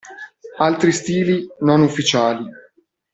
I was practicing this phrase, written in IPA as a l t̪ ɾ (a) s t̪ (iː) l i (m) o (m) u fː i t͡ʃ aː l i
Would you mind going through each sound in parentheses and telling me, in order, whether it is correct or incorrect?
incorrect: i, correct, incorrect: n, incorrect: n

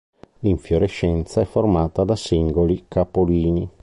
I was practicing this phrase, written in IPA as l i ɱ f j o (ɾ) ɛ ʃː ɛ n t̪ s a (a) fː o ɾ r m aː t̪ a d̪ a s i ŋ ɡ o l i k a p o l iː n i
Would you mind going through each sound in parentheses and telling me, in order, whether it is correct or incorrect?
correct, incorrect: ɛ

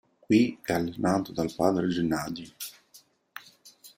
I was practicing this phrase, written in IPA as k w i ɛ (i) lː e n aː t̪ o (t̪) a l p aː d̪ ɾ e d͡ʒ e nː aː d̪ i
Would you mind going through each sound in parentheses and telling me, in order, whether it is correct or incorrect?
incorrect: a, incorrect: d̪

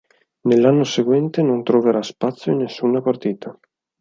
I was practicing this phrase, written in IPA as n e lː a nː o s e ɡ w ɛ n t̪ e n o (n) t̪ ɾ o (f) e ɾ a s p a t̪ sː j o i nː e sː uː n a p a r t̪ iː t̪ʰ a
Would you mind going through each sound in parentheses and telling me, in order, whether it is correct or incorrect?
correct, incorrect: v

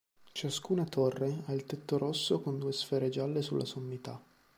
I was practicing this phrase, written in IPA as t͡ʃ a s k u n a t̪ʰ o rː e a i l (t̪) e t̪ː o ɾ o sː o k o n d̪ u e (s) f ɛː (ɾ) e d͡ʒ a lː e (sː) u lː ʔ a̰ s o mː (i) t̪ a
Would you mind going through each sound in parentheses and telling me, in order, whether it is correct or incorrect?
correct, correct, correct, incorrect: s, correct

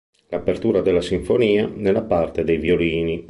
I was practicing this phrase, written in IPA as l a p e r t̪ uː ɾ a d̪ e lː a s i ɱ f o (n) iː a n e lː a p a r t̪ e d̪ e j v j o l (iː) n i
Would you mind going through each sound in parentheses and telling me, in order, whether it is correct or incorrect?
correct, correct

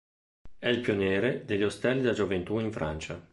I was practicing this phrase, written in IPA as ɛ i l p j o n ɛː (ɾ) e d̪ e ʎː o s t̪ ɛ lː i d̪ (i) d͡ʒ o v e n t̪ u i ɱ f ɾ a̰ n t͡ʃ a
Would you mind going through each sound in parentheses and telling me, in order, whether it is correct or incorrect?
correct, incorrect: a

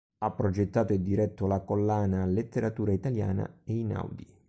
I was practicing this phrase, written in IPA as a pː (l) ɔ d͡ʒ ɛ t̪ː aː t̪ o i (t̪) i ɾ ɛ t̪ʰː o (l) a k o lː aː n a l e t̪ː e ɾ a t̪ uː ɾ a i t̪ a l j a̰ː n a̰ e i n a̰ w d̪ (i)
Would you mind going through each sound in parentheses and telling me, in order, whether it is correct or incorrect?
incorrect: ɾ, incorrect: d̪, correct, correct

